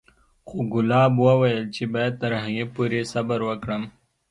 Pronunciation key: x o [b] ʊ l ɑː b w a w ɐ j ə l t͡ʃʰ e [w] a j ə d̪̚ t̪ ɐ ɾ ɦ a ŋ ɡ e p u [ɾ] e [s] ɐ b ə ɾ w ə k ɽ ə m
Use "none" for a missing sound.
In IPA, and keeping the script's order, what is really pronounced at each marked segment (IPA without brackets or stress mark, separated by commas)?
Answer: ɡ, b, ɾ, s